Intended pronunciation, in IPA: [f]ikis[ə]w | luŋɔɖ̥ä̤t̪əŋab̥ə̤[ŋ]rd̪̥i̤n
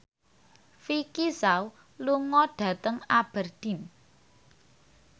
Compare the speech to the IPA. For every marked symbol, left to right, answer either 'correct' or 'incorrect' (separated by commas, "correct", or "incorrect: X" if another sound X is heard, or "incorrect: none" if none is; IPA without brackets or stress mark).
correct, incorrect: a, incorrect: none